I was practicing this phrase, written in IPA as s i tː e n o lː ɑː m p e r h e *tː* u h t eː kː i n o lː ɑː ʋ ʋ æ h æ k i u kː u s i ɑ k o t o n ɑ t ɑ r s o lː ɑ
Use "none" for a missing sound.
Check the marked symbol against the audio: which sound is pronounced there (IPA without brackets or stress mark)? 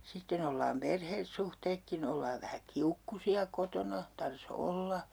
sː